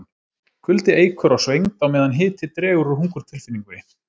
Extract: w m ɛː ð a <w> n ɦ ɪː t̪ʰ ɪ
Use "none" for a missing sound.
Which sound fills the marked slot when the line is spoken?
none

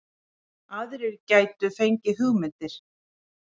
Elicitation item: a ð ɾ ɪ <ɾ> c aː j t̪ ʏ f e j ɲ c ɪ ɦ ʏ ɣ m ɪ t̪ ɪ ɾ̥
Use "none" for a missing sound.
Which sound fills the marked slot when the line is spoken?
ɾ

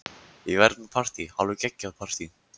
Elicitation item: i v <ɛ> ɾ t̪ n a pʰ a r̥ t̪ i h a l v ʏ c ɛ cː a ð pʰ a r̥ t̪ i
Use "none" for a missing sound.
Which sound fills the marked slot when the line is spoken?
ɛ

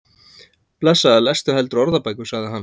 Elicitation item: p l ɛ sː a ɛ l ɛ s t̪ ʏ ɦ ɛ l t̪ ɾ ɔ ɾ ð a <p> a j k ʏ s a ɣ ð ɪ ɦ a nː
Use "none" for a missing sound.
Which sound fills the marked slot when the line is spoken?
p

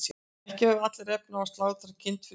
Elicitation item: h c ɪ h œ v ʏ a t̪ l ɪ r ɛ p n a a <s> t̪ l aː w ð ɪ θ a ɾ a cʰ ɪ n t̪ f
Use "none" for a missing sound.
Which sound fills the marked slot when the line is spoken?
s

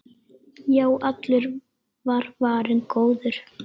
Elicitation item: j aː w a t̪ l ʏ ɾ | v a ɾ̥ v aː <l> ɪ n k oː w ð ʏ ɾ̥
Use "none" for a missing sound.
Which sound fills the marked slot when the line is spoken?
ɾ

